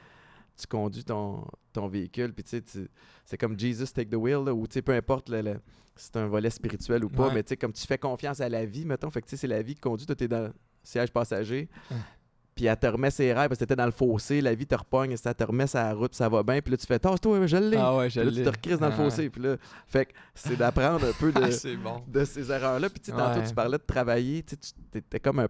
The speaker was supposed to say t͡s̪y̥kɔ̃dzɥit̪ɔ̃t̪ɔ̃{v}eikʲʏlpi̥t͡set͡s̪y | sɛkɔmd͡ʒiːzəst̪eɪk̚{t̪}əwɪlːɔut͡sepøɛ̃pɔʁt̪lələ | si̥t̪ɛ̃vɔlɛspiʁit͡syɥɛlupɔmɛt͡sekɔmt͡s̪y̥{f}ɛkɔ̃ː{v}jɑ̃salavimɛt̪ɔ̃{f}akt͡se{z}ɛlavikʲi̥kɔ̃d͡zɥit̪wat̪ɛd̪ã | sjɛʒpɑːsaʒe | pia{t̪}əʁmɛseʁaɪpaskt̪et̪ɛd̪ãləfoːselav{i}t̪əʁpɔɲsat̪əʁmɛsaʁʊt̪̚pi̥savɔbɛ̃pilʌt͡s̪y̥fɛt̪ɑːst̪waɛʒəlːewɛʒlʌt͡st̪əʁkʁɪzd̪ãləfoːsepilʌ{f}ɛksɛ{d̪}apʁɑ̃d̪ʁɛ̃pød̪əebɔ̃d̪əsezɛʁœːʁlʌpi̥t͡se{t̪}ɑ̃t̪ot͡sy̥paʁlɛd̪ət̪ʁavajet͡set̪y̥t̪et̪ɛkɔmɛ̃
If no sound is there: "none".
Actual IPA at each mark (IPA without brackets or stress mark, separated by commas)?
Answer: v, d̪, f, f, f, s, t̪, i, f, d̪, t̪